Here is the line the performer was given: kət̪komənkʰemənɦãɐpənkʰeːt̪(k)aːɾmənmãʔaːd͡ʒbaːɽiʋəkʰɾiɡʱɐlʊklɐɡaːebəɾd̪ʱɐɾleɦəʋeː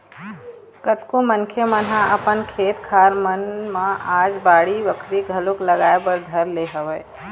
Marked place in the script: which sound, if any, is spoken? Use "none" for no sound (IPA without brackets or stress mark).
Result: kʰ